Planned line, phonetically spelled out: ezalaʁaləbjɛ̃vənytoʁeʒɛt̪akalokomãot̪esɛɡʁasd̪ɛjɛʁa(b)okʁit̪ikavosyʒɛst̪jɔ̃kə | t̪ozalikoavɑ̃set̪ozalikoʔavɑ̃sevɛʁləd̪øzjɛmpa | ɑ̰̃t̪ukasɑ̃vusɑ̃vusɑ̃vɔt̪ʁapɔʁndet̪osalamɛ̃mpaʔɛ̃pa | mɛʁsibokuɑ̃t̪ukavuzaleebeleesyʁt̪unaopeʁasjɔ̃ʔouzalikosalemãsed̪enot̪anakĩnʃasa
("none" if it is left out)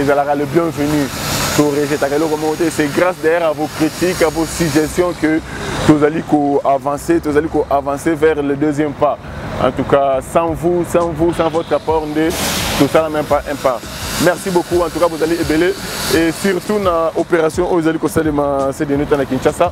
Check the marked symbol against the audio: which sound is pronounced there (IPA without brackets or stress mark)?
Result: v